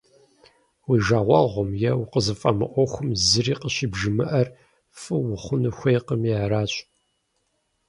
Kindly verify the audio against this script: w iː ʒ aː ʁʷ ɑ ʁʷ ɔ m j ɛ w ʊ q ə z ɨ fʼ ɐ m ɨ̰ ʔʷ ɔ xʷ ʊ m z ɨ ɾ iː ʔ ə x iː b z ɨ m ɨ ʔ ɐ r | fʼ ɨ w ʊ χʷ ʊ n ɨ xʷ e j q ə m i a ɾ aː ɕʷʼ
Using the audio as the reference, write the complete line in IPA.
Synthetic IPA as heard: w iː ʒ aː ʁʷ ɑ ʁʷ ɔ m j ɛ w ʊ q ə z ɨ fʼ ɐ m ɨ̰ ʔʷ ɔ xʷ ʊ m z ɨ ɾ iː q ə ɕ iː b ʒ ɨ m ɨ ʔ ɐ r | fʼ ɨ w ʊ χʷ ʊ n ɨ xʷ e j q ə m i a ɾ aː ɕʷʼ